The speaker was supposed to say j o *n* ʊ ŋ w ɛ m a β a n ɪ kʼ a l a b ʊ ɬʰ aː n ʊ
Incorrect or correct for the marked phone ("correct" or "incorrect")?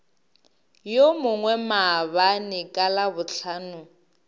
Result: incorrect